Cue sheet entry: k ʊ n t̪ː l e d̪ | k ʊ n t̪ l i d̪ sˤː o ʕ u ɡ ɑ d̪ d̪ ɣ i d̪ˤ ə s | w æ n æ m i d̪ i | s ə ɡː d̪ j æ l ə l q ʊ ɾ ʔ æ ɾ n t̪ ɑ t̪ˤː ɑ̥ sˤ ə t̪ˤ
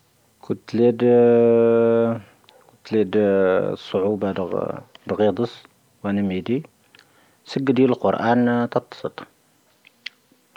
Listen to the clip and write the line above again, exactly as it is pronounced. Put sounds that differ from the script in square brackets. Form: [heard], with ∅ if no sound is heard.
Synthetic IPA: k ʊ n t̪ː l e d̪ | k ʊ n t̪ l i d̪ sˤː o ʕ u [b] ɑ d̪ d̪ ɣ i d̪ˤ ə s | w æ n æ m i d̪ i | s ə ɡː d̪ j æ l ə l q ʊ ɾ ʔ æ [∅] n t̪ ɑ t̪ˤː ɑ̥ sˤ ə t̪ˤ

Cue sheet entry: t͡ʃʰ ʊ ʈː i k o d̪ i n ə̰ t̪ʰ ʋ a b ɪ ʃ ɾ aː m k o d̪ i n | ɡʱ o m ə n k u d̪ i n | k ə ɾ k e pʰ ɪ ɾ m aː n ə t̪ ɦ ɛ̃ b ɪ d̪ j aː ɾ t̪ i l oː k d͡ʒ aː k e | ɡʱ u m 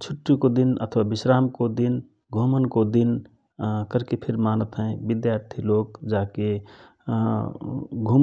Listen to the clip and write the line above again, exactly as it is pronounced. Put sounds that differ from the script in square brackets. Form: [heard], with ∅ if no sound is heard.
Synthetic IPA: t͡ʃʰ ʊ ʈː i k o d̪ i n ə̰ t̪ʰ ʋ a b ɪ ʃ ɾ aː m k o d̪ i n | ɡʱ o m ə n k [o] d̪ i n | k ə ɾ k e pʰ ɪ ɾ m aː n ə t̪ ɦ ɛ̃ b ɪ d̪ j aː ɾ [t̪ʰ] i l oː k d͡ʒ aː k e | ɡʱ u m

